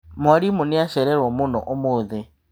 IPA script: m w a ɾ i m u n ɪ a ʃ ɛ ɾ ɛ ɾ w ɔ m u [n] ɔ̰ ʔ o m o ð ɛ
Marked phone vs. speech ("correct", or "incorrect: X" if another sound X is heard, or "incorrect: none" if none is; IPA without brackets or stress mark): correct